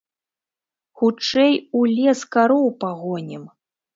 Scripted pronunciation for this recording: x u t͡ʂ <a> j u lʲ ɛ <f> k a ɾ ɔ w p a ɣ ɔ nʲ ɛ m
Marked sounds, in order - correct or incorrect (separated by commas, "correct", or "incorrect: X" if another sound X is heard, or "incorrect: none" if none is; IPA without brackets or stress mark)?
incorrect: ɛ, incorrect: s